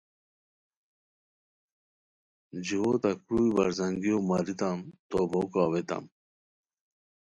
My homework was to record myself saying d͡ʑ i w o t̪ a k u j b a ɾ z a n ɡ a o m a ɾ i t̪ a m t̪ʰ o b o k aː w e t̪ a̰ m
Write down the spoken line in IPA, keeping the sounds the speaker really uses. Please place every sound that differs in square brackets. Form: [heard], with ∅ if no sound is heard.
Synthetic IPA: d͡ʑ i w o t̪ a k u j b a ɾ z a [ŋ] ɡ [i] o m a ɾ i t̪ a m [t̪] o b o k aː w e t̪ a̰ m

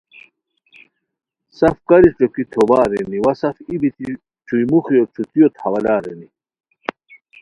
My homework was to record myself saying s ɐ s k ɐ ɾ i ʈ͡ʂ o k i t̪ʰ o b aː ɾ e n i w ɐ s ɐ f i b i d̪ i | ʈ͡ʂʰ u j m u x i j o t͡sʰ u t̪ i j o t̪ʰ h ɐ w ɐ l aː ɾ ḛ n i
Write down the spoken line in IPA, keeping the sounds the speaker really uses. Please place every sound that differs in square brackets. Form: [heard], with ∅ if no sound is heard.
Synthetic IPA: s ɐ [f] k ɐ ɾ i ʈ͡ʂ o k i t̪ʰ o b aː ɾ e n i w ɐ s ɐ f i b i [t̪] i | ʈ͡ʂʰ u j m u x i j o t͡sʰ u t̪ i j o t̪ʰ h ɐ w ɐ l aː ɾ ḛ n i

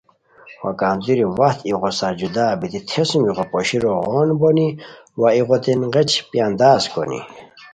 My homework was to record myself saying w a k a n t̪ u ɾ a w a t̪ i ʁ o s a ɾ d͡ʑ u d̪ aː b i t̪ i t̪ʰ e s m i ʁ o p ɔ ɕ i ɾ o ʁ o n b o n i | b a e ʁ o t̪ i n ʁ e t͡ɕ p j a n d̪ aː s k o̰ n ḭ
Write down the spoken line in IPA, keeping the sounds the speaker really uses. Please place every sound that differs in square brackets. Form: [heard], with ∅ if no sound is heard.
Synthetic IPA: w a k a n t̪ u ɾ [i] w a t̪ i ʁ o s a ɾ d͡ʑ u d̪ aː b i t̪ i t̪ʰ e s m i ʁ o p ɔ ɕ i ɾ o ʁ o n b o n i | [w] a [i] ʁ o t̪ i n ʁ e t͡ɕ p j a n d̪ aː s k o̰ n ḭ

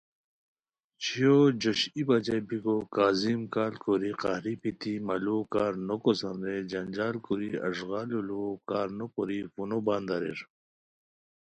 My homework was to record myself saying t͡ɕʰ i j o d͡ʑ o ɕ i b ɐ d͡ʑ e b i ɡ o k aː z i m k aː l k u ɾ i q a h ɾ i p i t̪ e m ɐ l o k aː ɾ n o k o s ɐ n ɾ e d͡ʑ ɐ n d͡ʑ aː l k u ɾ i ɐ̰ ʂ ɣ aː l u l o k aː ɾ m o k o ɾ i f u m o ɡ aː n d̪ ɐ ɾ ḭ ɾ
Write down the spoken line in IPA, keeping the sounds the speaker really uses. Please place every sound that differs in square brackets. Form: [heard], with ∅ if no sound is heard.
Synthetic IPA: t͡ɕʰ i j o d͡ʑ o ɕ i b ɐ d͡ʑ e b i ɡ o k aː z i m k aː l k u ɾ i q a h ɾ i p i t̪ [i] m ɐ l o k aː ɾ n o k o s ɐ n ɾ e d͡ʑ ɐ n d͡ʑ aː l k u ɾ i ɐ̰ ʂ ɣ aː l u l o k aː ɾ [n] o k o ɾ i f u [n] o [b] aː n d̪ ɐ ɾ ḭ ɾ

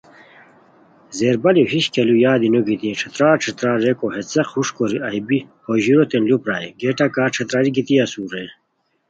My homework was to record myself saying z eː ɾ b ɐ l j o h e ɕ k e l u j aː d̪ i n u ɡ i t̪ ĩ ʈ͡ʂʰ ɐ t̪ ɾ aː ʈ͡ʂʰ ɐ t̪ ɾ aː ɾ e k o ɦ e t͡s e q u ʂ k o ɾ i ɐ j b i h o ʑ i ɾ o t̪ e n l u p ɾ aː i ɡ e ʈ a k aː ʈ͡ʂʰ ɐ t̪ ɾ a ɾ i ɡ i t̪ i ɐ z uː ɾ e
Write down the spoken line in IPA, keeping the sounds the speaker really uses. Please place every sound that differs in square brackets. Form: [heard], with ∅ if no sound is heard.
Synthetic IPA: z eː ɾ b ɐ l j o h [i] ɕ k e l u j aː d̪ i n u ɡ i t̪ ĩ ʈ͡ʂʰ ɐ t̪ ɾ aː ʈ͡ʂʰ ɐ t̪ ɾ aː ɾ e k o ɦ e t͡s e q u ʂ k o ɾ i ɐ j b i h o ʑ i ɾ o t̪ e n l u p ɾ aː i ɡ e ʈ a k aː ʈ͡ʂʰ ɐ t̪ ɾ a ɾ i ɡ i t̪ i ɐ [s] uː ɾ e

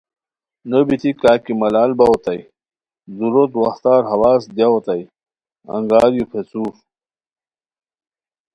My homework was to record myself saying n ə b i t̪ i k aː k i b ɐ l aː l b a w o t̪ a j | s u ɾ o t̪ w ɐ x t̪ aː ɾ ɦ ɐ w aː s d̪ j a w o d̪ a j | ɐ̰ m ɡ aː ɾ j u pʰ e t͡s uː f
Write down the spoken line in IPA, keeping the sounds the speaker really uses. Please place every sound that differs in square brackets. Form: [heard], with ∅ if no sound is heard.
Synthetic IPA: n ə b i t̪ i k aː k i [m] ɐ l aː l b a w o t̪ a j | [z] u ɾ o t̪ w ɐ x t̪ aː ɾ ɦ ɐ w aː s d̪ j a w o [t̪] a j | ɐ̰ [ŋ] ɡ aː ɾ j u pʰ e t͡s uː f

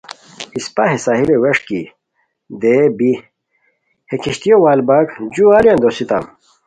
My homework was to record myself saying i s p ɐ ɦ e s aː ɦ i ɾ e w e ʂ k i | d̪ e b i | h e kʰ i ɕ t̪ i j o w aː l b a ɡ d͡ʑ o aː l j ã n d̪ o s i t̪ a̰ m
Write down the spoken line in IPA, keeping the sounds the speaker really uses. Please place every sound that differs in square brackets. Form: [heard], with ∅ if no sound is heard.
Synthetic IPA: i s p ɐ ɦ e s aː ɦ i [l] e w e ʂ k i | d̪ e b i | h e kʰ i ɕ t̪ i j o w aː l b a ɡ d͡ʑ [u] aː l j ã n d̪ o s i t̪ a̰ m

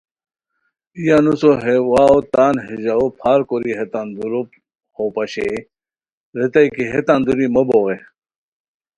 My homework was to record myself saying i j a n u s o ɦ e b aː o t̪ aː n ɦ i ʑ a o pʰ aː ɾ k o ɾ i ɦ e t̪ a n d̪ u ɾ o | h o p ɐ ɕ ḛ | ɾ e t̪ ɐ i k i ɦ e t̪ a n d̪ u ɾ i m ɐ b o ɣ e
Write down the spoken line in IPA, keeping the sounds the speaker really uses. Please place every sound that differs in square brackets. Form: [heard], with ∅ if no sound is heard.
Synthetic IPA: i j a n u s o ɦ e [w] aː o t̪ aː n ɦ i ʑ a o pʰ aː ɾ k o ɾ i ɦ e t̪ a n d̪ u ɾ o | h o p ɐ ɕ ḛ | ɾ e t̪ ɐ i k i ɦ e t̪ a n d̪ u ɾ i m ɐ b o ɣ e

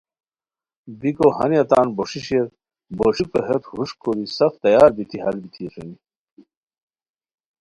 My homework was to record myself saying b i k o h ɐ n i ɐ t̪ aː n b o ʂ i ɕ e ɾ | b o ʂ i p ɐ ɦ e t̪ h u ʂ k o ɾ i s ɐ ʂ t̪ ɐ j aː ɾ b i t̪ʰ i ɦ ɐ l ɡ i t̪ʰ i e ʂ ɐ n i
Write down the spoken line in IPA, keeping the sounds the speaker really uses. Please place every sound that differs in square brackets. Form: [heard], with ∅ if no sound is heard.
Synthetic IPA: b i k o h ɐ n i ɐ t̪ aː n b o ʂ i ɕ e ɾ | b o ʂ i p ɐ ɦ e t̪ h u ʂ k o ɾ i s ɐ [f] t̪ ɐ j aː ɾ b i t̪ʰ i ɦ ɐ l [b] i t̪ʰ i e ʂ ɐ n i

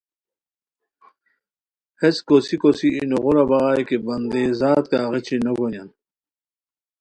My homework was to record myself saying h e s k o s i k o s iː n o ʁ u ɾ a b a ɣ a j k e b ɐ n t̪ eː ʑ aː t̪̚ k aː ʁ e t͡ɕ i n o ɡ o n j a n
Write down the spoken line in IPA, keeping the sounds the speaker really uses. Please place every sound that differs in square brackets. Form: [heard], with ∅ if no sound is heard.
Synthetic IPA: h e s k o s i k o s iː n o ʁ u ɾ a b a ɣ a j k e b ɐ n [d̪] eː [z] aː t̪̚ k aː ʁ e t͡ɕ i n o ɡ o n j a n

